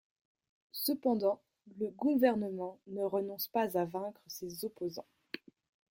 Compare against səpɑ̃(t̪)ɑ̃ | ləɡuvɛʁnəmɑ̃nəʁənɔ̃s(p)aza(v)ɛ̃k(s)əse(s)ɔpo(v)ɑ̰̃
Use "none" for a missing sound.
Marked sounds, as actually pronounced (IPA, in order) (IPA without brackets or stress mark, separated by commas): d̪, p, v, χ, z, z